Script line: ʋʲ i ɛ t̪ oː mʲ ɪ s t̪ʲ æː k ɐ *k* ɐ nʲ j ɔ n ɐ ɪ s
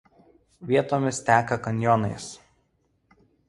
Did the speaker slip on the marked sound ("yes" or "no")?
no